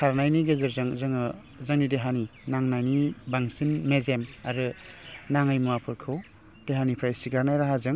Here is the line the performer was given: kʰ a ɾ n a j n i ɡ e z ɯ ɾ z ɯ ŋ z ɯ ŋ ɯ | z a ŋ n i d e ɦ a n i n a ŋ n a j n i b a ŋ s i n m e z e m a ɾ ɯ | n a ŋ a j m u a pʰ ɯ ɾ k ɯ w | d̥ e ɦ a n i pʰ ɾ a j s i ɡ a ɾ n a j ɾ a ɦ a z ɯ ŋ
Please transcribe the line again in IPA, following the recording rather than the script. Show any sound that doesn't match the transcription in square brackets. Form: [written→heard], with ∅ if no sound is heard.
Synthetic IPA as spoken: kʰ a ɾ n a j n i ɡ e z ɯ ɾ z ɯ ŋ z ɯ ŋ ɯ | z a ŋ n i d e ɦ a n i n a ŋ n a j n i b a ŋ s i n m e z e m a ɾ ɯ | n a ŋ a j m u a pʰ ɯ ɾ [k→kʰ] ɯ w | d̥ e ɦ a n i pʰ ɾ a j s i ɡ a ɾ n a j ɾ a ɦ a z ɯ ŋ